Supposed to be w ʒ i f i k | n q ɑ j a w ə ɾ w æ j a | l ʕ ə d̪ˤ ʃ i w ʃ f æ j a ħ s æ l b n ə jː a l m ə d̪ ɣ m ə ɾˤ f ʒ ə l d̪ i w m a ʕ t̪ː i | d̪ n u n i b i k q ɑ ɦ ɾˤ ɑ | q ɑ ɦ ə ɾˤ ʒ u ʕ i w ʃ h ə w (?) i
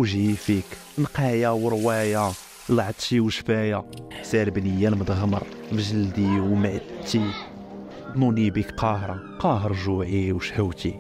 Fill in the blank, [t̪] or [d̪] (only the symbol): t̪